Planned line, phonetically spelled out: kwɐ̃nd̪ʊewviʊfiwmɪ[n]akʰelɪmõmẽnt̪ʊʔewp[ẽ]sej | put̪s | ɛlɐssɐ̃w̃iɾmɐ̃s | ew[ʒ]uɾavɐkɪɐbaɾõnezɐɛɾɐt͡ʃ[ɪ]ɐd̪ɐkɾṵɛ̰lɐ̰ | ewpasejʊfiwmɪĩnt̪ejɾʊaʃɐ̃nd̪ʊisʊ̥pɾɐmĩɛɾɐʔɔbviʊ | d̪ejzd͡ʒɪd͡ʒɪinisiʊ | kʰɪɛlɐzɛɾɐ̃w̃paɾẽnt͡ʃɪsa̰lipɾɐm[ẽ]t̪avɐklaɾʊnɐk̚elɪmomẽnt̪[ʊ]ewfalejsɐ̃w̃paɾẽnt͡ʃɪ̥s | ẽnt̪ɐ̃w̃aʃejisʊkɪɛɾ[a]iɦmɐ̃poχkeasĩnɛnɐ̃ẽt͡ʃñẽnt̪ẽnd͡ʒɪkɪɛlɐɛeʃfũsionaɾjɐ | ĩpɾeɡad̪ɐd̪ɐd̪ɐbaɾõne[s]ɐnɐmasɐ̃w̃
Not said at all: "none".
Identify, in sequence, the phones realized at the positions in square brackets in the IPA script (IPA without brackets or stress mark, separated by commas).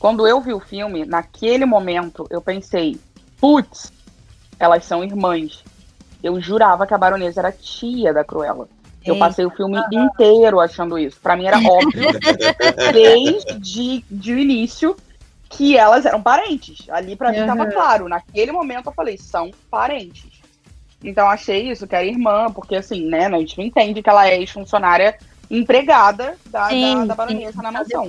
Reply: n, ẽ, ʒ, i, ĩ, ʊ, ɐ, z